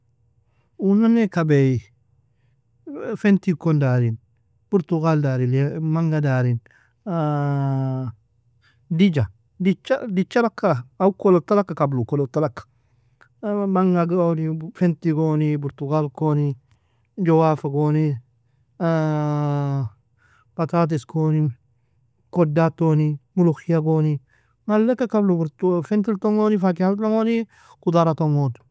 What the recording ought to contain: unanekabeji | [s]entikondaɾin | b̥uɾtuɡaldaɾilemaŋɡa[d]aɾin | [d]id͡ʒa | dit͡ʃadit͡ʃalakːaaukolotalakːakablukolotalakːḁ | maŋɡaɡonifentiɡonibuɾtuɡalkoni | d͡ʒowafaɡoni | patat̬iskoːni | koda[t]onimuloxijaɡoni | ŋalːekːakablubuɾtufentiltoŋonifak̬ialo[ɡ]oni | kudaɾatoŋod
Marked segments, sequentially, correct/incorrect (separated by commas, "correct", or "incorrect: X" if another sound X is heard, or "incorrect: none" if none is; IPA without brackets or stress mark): incorrect: f, correct, correct, correct, incorrect: ŋ